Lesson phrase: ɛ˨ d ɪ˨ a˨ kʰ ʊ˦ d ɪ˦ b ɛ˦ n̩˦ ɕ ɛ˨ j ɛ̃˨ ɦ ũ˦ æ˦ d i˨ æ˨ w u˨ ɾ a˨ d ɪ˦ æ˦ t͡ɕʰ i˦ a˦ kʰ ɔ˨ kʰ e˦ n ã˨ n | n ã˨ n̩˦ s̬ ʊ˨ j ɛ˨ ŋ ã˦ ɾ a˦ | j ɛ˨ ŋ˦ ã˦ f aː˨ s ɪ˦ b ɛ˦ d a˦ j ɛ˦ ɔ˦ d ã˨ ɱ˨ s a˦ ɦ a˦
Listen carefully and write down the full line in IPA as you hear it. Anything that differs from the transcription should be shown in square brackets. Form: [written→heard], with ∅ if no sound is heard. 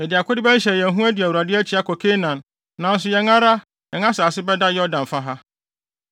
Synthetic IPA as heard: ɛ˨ d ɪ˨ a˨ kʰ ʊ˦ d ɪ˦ b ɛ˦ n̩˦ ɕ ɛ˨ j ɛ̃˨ ɦ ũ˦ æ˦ d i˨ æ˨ w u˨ ɾ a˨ d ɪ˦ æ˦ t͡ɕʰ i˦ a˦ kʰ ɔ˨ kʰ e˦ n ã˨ n | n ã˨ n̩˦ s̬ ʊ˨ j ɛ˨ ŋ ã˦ ɾ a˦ | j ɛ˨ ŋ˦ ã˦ [f→s] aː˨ s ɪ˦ b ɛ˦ d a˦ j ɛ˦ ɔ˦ d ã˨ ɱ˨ [s→f] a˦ ɦ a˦